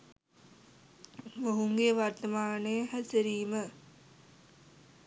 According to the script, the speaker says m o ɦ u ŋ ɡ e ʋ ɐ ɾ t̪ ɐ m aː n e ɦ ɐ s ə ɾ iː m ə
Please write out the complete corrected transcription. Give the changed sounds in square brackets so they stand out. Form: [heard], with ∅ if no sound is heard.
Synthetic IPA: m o ɦ u ŋ ɡ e ʋ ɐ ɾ t̪ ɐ m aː n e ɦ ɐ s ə ɾ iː m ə